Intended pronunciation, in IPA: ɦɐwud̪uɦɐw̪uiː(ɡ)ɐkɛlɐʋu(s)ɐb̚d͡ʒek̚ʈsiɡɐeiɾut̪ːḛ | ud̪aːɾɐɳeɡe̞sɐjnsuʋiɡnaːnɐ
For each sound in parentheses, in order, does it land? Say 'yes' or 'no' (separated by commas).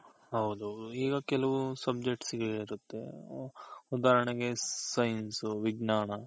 yes, yes